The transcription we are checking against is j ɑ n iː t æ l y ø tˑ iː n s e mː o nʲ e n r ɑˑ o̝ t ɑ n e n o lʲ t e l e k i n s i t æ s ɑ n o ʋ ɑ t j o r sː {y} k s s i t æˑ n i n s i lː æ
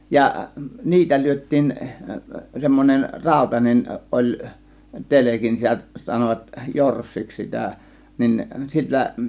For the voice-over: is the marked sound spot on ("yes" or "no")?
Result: no